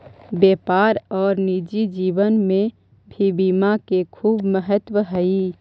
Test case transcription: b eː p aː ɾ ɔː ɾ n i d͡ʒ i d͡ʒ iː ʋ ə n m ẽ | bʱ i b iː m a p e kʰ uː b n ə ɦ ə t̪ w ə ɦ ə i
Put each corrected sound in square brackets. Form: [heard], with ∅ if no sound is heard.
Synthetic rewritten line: b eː p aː ɾ ɔː ɾ n i d͡ʒ i d͡ʒ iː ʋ ə n m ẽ | bʱ i b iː m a [k] e kʰ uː b [m] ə ɦ ə t̪ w ə ɦ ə i